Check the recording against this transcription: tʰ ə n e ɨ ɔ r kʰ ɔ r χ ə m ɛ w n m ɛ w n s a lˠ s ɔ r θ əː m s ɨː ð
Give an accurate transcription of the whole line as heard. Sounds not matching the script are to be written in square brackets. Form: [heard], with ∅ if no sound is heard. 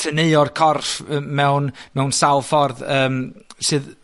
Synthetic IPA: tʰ ə n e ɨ ɔ r kʰ ɔ r [f] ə m ɛ w n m ɛ w n s a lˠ [f] ɔ r [ð] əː m s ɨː ð